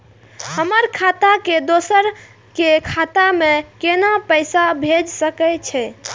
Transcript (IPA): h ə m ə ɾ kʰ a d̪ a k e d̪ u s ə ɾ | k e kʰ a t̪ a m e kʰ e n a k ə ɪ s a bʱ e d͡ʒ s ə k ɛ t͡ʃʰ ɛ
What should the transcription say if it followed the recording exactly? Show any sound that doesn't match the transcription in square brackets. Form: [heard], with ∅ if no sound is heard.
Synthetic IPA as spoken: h ə m ə ɾ kʰ a [t̪] a k e d̪ [o] s ə ɾ | k e kʰ a t̪ a m e [k] e n a [p] ə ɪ s a bʱ e d͡ʒ s ə k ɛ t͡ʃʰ ɛ